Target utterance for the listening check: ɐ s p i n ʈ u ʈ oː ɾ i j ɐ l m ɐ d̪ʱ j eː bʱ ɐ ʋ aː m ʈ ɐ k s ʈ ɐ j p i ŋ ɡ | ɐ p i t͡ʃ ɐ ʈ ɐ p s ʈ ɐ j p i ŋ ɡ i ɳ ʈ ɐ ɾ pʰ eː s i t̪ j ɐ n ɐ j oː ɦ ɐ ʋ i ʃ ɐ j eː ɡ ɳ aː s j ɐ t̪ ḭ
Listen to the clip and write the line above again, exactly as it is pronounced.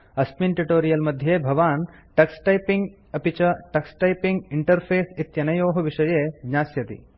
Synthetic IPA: ɐ s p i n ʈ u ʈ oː ɾ i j ɐ l m ɐ d̪ʱ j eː bʱ ɐ ʋ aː n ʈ ɐ k s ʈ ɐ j p i ŋ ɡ | ɐ p i t͡ʃ ɐ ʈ ɐ k s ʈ ɐ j p i ŋ ɡ i ɳ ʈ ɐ ɾ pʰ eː s i t̪ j ɐ n ɐ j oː ɦ ɐ ʋ i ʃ ɐ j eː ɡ ɲ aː s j ɐ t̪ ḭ